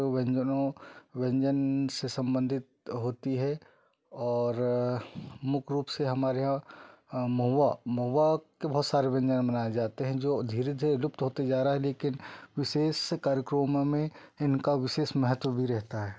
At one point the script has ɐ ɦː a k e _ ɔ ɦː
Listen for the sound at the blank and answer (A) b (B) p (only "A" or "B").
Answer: A